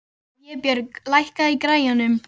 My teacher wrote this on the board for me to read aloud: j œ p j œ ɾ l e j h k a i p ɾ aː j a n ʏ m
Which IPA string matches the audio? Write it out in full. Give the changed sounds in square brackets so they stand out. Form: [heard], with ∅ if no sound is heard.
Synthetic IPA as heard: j [ɛ] p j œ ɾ l [a] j h k a i [k] ɾ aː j a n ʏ m